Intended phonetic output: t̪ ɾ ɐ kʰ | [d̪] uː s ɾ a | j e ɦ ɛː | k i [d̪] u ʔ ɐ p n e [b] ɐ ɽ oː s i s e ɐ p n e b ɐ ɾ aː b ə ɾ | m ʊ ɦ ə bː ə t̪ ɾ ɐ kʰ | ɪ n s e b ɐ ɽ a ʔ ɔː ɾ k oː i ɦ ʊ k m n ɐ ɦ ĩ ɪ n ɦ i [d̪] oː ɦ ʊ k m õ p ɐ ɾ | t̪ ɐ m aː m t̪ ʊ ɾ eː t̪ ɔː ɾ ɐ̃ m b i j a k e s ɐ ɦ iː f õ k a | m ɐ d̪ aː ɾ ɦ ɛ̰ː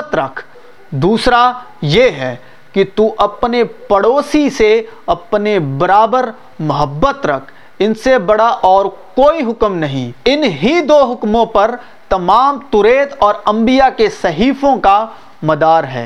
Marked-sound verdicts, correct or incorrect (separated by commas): correct, incorrect, incorrect, correct